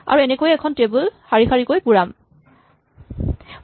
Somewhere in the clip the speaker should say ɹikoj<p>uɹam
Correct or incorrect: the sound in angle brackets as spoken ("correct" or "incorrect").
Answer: correct